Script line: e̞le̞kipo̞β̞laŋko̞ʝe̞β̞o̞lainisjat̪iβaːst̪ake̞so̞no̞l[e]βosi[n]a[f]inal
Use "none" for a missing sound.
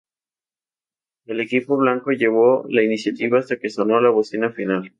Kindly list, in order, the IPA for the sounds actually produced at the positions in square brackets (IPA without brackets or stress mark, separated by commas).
a, n, f